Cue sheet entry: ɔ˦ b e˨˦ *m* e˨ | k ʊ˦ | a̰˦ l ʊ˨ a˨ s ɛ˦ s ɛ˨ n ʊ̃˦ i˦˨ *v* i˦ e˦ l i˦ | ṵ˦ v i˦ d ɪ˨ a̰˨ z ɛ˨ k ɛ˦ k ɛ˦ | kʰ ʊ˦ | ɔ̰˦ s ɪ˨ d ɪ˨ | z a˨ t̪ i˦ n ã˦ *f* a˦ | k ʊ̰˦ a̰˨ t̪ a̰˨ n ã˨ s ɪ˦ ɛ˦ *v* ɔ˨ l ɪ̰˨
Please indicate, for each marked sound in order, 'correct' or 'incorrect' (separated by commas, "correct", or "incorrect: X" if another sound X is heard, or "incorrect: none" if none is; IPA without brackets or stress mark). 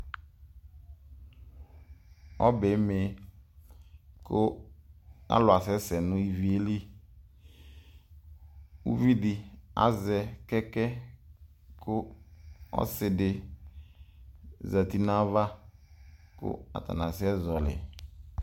correct, correct, incorrect: v, incorrect: z